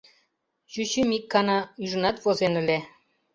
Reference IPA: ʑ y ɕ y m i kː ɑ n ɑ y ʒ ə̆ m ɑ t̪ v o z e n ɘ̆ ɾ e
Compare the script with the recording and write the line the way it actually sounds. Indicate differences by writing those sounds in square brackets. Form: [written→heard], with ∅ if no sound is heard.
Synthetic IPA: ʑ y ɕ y m i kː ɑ n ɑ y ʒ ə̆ [m→n] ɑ t̪ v o z e n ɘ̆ [ɾ→l] e

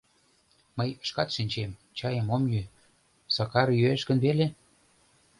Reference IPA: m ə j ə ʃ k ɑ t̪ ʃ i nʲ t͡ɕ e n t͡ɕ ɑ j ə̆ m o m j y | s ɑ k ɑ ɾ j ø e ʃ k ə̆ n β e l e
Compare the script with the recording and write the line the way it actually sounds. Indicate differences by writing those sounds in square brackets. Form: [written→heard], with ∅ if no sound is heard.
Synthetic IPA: m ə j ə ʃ k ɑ t̪ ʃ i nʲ t͡ɕ e [n→m] t͡ɕ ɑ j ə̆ m o m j y | s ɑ k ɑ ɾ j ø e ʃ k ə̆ n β e l e

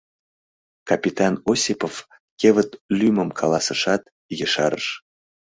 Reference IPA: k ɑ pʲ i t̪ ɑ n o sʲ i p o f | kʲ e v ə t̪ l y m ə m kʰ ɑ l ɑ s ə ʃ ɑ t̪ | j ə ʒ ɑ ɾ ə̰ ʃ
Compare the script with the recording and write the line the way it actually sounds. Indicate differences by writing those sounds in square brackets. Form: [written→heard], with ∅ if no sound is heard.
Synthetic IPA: k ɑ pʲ i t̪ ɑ n o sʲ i p o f | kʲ e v ə t̪ l y m ə m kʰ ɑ l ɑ s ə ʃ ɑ t̪ | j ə [ʒ→ʃ] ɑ ɾ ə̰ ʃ

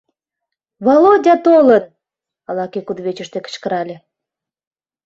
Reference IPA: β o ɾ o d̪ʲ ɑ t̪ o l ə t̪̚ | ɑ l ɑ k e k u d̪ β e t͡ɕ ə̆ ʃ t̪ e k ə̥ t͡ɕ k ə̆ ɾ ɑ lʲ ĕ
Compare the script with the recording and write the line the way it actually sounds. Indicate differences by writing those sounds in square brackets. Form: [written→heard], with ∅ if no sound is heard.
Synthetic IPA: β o [ɾ→l] o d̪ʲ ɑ t̪ o l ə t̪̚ | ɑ l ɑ k e k u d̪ β e t͡ɕ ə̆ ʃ t̪ e k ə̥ t͡ɕ k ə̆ ɾ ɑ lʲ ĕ

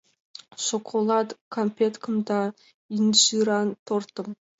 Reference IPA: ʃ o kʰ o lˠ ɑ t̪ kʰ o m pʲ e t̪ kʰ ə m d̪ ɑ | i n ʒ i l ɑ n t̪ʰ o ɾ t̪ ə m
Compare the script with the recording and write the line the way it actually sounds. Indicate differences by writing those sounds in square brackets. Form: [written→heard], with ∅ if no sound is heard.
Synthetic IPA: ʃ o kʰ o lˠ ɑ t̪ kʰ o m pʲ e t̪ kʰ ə m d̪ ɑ | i n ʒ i [l→ɾ] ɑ n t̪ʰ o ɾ t̪ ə m

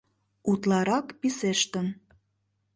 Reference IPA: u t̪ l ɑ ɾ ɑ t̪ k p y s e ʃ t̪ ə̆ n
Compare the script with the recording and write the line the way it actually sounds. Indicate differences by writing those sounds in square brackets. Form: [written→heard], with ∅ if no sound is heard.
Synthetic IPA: u t̪ l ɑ ɾ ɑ [t̪→∅] k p [y→i] s e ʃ t̪ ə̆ n

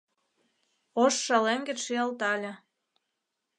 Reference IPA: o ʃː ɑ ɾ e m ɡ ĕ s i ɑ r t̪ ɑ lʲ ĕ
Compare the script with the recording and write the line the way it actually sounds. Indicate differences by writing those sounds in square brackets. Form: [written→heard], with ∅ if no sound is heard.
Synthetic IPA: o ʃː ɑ [ɾ→l] e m ɡ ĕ [s→ʃ] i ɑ [r→l] t̪ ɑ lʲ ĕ

